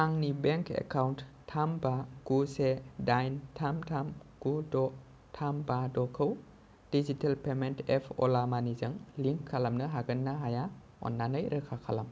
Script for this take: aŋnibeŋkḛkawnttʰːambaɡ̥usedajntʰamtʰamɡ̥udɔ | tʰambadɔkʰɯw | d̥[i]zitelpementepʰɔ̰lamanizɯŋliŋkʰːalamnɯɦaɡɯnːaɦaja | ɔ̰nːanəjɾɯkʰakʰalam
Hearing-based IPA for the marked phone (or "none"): i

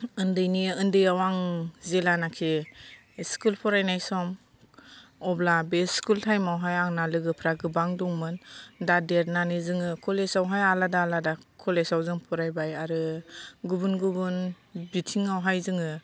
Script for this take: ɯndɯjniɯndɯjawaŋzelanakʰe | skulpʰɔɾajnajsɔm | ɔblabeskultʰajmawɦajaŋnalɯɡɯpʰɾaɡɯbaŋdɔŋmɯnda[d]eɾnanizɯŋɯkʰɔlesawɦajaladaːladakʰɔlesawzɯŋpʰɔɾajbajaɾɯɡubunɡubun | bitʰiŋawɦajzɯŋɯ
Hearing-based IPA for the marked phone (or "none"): d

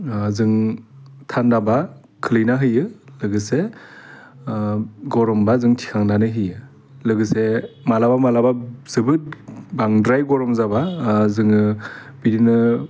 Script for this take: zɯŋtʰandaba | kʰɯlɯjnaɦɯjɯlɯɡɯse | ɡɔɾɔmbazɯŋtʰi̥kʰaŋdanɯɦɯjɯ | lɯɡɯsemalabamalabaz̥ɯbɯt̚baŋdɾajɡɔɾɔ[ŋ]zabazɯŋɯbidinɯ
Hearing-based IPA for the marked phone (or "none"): m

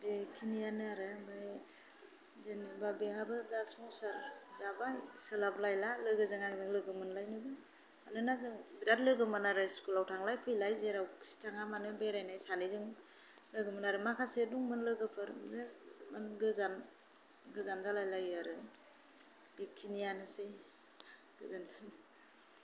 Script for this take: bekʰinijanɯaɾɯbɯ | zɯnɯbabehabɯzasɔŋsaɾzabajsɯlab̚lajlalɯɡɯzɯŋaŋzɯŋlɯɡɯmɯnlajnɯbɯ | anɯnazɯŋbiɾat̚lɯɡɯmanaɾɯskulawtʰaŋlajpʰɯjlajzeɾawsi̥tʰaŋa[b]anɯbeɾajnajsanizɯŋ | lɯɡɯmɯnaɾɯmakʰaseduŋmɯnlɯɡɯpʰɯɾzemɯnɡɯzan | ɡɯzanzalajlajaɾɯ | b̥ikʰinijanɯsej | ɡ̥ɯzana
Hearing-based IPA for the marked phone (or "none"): m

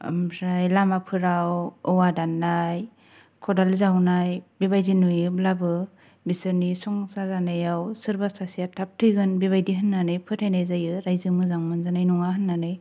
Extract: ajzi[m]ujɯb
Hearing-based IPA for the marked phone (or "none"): n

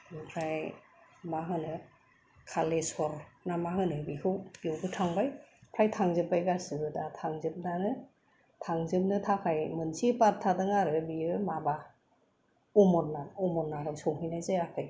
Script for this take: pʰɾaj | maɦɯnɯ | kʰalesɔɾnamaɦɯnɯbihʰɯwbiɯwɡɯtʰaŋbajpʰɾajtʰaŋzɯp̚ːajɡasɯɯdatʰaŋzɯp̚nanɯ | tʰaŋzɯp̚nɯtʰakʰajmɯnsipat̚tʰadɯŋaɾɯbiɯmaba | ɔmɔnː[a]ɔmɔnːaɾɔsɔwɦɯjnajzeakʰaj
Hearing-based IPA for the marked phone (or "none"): a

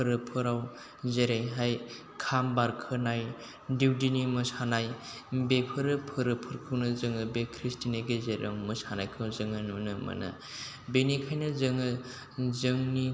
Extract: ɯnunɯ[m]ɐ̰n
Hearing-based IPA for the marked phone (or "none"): m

